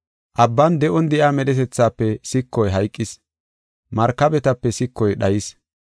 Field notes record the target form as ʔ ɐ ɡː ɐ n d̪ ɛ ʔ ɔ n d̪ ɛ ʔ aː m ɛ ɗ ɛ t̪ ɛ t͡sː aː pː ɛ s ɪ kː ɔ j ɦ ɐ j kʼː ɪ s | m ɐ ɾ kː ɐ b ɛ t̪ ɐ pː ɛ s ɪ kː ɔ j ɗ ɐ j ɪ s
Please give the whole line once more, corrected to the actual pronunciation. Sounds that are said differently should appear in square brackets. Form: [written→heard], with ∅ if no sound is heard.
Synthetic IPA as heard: ʔ ɐ [ɡː→bː] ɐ n d̪ ɛ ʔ ɔ n d̪ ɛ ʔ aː m ɛ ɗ ɛ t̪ ɛ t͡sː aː pː ɛ s ɪ kː ɔ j ɦ ɐ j kʼː ɪ s | m ɐ ɾ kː ɐ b ɛ t̪ ɐ pː ɛ s ɪ kː ɔ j ɗ ɐ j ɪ s